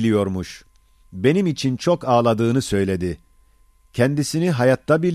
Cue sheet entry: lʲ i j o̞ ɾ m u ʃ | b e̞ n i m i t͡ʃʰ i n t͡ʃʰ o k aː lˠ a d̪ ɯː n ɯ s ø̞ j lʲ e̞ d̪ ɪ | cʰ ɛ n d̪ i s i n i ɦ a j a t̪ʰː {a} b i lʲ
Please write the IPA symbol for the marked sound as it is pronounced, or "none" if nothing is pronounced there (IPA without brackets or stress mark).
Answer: a